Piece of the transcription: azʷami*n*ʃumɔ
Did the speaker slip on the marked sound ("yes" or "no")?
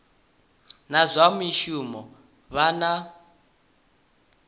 yes